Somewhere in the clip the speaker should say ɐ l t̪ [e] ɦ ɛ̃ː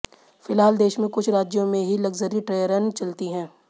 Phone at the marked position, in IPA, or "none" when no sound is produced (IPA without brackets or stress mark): i